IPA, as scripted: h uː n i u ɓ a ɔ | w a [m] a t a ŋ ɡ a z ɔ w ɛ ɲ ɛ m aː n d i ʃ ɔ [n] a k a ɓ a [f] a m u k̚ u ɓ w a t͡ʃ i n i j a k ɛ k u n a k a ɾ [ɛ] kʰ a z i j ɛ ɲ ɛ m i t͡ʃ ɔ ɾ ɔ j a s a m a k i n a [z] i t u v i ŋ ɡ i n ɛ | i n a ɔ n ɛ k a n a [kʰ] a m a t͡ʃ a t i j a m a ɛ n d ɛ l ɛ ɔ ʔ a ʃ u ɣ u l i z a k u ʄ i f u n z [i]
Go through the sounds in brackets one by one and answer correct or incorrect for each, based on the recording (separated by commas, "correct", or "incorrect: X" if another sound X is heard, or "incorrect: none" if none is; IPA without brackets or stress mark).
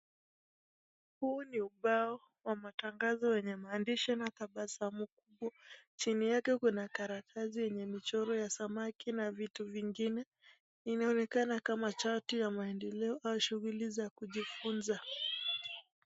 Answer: correct, correct, incorrect: s, incorrect: a, incorrect: v, incorrect: k, incorrect: a